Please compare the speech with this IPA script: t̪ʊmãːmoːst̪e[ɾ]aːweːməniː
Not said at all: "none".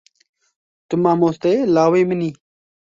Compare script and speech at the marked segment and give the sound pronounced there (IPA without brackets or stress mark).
l